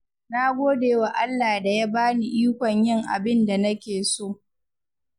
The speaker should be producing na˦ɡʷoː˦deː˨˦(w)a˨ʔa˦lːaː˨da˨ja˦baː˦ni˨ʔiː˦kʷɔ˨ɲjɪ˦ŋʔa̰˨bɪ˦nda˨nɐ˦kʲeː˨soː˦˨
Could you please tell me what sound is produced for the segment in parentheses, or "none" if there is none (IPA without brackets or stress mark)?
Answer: w